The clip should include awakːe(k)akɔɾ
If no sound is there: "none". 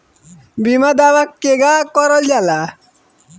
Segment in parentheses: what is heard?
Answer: ɡ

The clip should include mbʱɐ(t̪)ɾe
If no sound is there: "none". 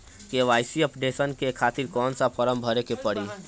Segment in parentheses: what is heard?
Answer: none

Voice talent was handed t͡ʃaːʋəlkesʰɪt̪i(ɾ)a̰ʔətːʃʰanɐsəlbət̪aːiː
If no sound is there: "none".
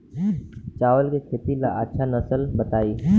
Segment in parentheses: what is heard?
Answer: l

